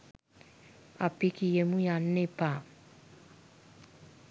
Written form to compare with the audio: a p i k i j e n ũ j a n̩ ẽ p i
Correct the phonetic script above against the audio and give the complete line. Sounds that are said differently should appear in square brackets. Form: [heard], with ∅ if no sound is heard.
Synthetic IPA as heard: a p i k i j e [m] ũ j a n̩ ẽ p [a]